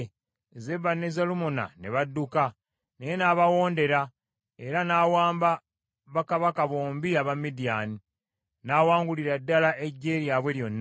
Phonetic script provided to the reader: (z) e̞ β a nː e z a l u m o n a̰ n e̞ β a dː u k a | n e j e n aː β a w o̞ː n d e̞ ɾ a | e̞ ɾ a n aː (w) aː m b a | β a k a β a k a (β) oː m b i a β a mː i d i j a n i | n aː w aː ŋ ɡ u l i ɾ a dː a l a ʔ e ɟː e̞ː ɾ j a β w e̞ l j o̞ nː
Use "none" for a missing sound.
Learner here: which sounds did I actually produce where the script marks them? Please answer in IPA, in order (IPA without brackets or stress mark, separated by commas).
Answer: z, w, β